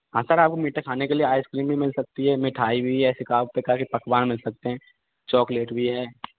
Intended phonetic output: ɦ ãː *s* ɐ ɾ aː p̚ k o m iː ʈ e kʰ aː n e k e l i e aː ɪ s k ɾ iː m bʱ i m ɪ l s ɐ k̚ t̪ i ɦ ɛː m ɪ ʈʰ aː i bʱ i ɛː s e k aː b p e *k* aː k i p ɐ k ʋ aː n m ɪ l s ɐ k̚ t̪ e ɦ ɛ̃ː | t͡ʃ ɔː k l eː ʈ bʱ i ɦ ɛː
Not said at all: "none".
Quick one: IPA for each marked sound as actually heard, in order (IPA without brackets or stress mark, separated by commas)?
s, k